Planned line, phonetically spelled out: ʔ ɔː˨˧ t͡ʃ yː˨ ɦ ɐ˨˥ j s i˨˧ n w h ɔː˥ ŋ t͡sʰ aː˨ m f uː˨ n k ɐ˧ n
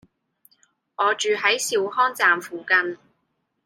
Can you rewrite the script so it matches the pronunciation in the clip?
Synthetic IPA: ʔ ɔː˨˧ t͡ʃ yː˨ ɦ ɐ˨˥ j s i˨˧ w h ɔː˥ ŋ t͡s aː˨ m f uː˨ k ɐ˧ n